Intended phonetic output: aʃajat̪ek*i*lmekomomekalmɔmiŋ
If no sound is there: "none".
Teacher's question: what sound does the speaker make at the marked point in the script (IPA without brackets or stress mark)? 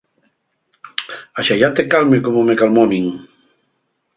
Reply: a